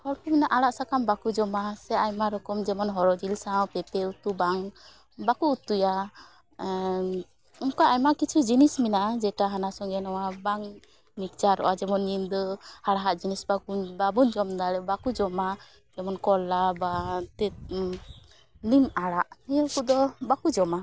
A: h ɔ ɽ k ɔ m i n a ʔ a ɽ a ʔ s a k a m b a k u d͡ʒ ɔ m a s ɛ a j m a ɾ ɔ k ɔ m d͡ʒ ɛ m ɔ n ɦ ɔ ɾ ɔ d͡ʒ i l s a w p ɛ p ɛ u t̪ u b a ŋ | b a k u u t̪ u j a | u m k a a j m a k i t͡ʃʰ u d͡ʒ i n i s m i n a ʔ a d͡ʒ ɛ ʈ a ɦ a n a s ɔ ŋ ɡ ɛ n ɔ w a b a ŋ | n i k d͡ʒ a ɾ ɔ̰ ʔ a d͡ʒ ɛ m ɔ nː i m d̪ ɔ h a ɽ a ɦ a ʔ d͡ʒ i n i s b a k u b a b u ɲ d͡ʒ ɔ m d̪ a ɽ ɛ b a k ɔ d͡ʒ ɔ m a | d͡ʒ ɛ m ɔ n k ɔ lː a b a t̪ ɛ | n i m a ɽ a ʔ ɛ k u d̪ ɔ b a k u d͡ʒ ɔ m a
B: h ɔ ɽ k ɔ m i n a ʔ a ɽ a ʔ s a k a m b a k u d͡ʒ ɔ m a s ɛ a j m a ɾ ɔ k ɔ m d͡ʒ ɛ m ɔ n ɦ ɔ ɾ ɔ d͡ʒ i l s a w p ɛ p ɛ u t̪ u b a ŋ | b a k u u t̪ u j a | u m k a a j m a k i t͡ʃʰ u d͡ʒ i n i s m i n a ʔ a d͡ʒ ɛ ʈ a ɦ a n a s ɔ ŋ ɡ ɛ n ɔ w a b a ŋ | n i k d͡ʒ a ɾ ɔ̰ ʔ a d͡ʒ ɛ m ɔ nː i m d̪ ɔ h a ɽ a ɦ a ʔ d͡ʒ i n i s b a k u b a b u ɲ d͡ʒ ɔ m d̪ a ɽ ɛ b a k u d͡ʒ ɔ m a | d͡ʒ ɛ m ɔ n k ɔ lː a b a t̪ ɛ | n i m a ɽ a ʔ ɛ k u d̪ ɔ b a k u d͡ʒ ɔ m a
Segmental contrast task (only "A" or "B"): B